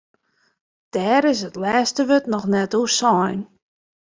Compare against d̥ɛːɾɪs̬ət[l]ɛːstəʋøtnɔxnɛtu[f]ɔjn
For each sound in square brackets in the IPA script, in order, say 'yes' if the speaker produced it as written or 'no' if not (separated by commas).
yes, no